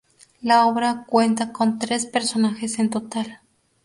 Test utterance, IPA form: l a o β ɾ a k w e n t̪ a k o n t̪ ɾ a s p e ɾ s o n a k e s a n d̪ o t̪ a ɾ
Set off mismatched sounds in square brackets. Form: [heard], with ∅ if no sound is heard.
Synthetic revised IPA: l a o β ɾ a k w e n t̪ a k o n t̪ ɾ [e] s p e ɾ s o n a [x] e s [e] n [t̪] o t̪ a [l]